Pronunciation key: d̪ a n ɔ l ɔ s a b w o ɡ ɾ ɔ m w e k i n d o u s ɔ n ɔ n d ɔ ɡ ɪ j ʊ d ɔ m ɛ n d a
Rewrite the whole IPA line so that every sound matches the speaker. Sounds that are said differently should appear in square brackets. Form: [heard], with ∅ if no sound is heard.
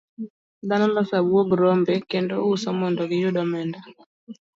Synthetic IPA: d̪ a n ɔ l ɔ s a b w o ɡ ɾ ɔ m [b] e k [e] n d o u s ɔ [m] ɔ n d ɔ ɡ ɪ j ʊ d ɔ m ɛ n d a